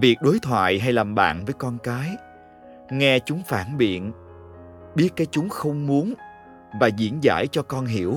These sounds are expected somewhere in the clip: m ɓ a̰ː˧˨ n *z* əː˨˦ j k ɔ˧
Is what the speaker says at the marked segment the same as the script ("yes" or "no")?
no